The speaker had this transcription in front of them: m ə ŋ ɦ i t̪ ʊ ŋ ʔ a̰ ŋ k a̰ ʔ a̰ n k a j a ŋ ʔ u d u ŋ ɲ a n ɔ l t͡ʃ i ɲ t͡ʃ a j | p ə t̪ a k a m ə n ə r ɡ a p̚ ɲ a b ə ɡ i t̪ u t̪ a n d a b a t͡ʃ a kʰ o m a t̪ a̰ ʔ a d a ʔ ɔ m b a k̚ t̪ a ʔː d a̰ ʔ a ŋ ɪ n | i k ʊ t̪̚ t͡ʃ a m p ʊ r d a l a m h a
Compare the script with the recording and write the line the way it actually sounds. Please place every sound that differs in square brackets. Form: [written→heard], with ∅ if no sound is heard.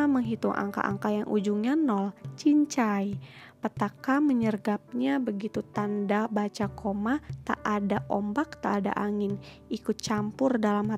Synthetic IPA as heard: m ə ŋ ɦ i t̪ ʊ ŋ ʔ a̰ ŋ k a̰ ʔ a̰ [n→ŋ] k a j a ŋ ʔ u [d→d͡ʒ] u ŋ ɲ a n ɔ l t͡ʃ i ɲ t͡ʃ a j | p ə t̪ a k a m ə [n→ɲ] ə r ɡ a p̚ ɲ a b ə ɡ i t̪ u t̪ a n d a b a t͡ʃ a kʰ o m a t̪ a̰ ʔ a d a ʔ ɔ m b a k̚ t̪ a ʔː d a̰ ʔ a ŋ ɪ n | i k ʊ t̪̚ t͡ʃ a m p ʊ r d a l a m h a